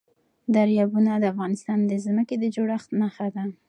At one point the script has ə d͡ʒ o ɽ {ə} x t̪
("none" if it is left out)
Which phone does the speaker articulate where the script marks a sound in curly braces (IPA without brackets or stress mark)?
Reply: a